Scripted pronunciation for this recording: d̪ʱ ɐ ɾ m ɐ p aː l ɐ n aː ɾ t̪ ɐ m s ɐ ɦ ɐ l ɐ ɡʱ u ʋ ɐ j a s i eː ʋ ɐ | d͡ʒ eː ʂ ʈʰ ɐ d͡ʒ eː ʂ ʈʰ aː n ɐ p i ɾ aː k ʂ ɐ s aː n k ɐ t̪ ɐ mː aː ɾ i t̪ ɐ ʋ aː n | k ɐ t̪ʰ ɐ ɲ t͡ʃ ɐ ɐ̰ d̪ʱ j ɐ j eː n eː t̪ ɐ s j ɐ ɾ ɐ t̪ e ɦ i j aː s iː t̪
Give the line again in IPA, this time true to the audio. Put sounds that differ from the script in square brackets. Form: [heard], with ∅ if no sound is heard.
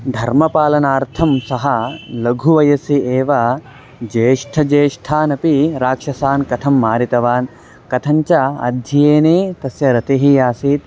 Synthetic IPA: d̪ʱ ɐ ɾ m ɐ p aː l ɐ n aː ɾ [t̪ʰ] ɐ m s ɐ ɦ ɐ l ɐ ɡʱ u ʋ ɐ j [ɐ] s i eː ʋ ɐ | d͡ʒ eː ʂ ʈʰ ɐ d͡ʒ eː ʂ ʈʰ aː n ɐ p i ɾ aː k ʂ ɐ s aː n k ɐ [t̪ʰ] ɐ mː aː ɾ i t̪ ɐ ʋ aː n | k ɐ t̪ʰ ɐ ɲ t͡ʃ ɐ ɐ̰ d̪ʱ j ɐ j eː n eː t̪ ɐ s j ɐ ɾ ɐ t̪ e ɦ i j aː s iː t̪

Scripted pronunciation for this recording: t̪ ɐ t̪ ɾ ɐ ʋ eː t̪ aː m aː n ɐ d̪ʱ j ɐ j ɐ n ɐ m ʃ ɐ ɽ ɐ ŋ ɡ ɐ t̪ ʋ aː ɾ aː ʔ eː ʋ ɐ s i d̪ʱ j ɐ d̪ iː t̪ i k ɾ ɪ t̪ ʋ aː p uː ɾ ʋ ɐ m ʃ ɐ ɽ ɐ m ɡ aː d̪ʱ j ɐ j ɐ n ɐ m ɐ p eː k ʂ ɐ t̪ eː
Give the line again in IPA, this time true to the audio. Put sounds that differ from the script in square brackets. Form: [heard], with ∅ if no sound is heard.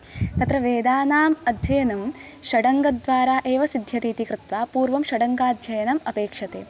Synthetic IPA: t̪ ɐ t̪ ɾ ɐ ʋ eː [d̪] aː [n] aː [m] ɐ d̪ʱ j ɐ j ɐ n ɐ m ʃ ɐ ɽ ɐ ŋ ɡ ɐ [d̪] ʋ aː ɾ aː ʔ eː ʋ ɐ s i d̪ʱ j ɐ [t̪] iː t̪ i k ɾ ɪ t̪ ʋ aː p uː ɾ ʋ ɐ m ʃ ɐ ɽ ɐ [ŋ] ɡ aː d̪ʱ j ɐ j ɐ n ɐ m ɐ p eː k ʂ ɐ t̪ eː

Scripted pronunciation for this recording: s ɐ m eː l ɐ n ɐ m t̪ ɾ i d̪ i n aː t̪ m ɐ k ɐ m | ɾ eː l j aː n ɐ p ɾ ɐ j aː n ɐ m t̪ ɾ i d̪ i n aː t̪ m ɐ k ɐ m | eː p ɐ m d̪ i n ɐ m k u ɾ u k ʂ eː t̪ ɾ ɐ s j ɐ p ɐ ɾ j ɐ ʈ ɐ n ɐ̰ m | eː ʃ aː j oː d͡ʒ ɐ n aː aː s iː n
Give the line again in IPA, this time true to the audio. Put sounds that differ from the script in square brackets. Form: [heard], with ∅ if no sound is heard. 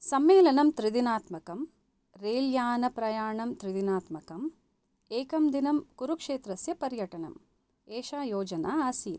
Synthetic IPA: s ɐ m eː l ɐ n ɐ m t̪ ɾ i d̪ i n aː t̪ m ɐ k ɐ m | ɾ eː l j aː n ɐ p ɾ ɐ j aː [ɳ] ɐ m t̪ ɾ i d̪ i n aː t̪ m ɐ k ɐ m | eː [k] ɐ m d̪ i n ɐ m k u ɾ u k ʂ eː t̪ ɾ ɐ s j ɐ p ɐ ɾ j ɐ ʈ ɐ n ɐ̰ m | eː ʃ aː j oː d͡ʒ ɐ n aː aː s iː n

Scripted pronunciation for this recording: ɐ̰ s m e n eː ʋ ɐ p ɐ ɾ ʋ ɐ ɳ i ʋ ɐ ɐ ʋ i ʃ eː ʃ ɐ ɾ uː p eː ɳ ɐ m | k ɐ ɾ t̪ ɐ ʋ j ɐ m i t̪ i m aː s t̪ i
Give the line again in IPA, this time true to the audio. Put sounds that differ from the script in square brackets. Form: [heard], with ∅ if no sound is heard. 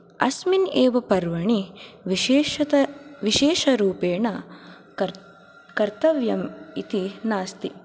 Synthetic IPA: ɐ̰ s m [i] n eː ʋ ɐ p ɐ ɾ ʋ ɐ ɳ i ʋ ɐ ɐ ʋ i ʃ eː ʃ ɐ ɾ uː p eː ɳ ɐ [∅] | k ɐ ɾ t̪ ɐ ʋ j ɐ m i t̪ i [n] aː s t̪ i

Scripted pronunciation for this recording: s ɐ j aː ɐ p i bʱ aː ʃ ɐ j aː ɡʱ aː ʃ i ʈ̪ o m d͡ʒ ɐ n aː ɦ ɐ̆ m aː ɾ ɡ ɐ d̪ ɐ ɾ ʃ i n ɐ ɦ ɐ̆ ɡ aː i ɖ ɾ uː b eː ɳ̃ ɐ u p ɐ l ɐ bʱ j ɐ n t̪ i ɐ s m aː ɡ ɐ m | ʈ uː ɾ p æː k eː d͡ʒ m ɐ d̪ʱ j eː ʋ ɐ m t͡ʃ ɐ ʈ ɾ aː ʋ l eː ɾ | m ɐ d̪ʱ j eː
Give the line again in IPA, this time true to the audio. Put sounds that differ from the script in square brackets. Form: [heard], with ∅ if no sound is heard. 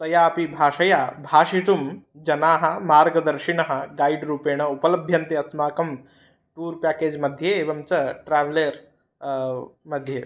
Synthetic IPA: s ɐ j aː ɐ p i bʱ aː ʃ ɐ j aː [bʱ] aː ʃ i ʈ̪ [u] m d͡ʒ ɐ n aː ɦ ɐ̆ m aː ɾ ɡ ɐ d̪ ɐ ɾ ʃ i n ɐ ɦ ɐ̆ ɡ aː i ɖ ɾ uː [p] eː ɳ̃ ɐ u p ɐ l ɐ bʱ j ɐ n t̪ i ɐ s m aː [k] ɐ m | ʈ uː ɾ p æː k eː d͡ʒ m ɐ d̪ʱ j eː ʋ ɐ m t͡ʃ ɐ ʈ ɾ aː ʋ l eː ɾ | m ɐ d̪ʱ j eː

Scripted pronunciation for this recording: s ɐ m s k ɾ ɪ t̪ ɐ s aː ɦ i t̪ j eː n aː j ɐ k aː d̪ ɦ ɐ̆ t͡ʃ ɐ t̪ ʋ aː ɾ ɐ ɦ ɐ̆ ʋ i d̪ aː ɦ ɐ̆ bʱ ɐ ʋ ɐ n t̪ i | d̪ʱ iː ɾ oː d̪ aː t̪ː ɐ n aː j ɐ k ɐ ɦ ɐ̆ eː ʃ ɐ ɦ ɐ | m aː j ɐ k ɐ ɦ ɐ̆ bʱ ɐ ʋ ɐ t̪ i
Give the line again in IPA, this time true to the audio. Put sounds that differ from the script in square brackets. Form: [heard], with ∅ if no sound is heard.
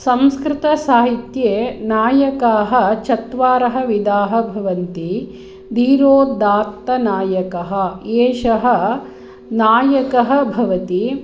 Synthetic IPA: s ɐ m s k ɾ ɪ t̪ ɐ s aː ɦ i t̪ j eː n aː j ɐ k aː [∅] ɦ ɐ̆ t͡ʃ ɐ t̪ ʋ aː ɾ ɐ ɦ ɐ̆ ʋ i d̪ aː ɦ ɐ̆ bʱ ɐ ʋ ɐ n t̪ i | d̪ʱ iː ɾ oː d̪ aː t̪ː ɐ n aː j ɐ k ɐ ɦ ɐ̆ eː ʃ ɐ ɦ ɐ | [n] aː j ɐ k ɐ ɦ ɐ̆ bʱ ɐ ʋ ɐ t̪ i

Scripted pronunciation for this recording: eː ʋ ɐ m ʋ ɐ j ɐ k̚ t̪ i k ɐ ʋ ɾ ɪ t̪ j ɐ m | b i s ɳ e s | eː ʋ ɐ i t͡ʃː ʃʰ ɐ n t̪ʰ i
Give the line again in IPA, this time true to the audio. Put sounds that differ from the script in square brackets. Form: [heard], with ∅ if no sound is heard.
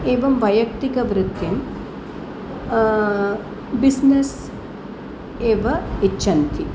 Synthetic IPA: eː ʋ ɐ m ʋ ɐ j ɐ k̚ t̪ i k ɐ ʋ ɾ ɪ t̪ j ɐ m | b i s [n] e s | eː ʋ ɐ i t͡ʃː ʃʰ ɐ n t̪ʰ i

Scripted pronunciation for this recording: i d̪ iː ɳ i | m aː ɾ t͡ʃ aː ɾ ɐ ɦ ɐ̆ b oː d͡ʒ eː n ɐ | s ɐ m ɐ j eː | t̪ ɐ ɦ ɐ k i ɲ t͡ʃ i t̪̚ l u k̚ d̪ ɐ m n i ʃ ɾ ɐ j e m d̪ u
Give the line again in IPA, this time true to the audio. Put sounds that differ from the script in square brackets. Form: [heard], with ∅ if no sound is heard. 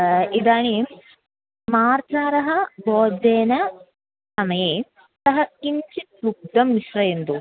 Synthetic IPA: i d̪ [aː] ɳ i | m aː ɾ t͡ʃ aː ɾ ɐ ɦ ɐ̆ b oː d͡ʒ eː n ɐ | s ɐ m ɐ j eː | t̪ ɐ ɦ ɐ k i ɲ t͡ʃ i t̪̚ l u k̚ d̪ ɐ m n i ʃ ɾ ɐ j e [n] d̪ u

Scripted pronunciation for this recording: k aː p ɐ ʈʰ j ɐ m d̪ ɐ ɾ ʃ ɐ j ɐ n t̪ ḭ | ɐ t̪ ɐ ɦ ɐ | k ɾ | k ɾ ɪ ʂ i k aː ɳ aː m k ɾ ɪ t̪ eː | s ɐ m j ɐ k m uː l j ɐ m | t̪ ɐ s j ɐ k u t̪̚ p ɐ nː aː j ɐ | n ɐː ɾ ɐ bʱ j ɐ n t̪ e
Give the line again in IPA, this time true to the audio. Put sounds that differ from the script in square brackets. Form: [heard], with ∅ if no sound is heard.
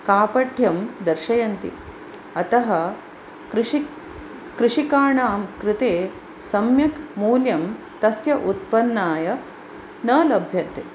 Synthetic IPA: k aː p ɐ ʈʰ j ɐ m d̪ ɐ ɾ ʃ ɐ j ɐ n t̪ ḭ | ɐ t̪ ɐ ɦ ɐ | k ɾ | k ɾ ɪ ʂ i k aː ɳ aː m k ɾ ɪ t̪ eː | s ɐ m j ɐ k m uː l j ɐ m | t̪ ɐ s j ɐ [ʔ] u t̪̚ p ɐ nː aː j ɐ | n ɐː [l] ɐ bʱ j ɐ n t̪ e

